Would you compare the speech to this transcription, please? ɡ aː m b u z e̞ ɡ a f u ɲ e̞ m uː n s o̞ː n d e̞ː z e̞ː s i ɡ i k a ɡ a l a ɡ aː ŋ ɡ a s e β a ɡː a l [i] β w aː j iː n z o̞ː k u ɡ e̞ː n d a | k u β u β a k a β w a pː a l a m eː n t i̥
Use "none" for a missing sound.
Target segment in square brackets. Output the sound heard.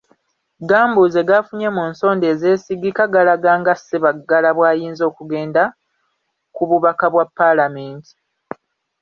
a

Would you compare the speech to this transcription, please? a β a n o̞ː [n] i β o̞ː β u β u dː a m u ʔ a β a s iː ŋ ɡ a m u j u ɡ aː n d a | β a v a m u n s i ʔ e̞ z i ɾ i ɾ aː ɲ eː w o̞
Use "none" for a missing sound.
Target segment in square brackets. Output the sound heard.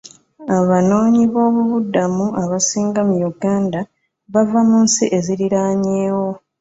ɲ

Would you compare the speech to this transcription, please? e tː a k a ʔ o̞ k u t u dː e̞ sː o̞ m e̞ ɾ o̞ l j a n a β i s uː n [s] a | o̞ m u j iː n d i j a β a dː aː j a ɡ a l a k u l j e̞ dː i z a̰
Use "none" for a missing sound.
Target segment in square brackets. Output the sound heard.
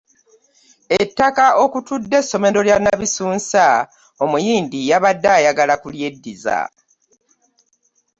s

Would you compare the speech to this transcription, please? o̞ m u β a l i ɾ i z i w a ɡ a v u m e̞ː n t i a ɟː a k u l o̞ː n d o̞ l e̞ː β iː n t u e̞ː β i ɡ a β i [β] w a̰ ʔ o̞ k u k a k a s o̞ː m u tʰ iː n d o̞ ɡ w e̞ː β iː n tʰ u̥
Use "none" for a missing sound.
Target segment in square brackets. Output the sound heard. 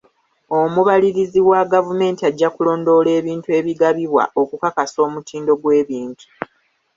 β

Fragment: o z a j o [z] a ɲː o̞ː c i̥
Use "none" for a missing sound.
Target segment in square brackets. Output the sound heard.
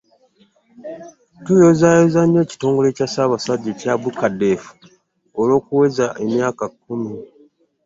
z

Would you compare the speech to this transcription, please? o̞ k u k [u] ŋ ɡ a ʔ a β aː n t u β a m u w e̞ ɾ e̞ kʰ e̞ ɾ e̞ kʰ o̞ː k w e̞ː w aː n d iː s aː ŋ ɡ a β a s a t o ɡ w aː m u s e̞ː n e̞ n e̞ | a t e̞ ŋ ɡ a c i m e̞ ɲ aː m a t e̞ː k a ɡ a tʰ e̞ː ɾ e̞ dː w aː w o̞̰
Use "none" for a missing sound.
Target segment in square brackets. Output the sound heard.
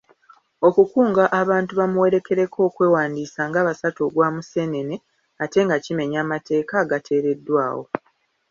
uː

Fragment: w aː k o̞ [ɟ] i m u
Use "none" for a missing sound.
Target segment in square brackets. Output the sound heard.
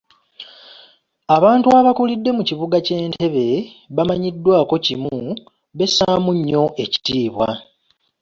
c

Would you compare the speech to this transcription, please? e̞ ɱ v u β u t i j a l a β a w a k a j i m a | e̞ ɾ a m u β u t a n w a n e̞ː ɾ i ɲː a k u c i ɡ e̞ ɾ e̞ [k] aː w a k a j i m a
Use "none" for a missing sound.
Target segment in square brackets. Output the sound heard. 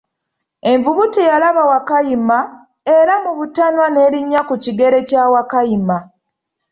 c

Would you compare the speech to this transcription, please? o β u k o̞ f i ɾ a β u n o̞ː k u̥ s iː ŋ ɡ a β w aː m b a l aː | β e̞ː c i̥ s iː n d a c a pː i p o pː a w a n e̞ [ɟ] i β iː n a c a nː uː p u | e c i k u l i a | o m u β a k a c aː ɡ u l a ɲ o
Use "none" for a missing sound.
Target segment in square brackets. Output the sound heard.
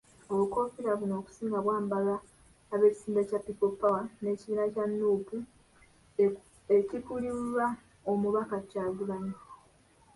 c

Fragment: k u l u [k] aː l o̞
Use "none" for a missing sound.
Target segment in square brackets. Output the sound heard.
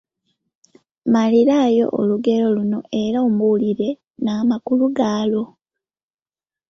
ɡ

